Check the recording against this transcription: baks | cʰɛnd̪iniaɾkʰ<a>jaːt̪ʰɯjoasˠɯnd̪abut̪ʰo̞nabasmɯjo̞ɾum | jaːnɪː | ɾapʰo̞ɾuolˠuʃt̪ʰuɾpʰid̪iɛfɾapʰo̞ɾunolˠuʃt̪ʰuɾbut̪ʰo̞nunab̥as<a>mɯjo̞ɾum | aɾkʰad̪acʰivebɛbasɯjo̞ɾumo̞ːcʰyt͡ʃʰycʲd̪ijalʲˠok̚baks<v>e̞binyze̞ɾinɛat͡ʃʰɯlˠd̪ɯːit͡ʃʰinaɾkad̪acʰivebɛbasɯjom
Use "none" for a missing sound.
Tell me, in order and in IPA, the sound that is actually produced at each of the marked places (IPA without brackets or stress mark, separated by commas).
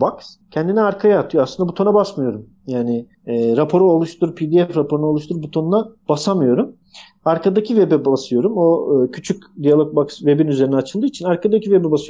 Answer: a, a, v